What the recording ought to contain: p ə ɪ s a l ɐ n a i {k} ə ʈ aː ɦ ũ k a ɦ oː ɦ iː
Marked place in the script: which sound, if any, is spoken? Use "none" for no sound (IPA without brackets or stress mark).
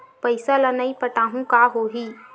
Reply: p